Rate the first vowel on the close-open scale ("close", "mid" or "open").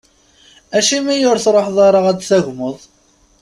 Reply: open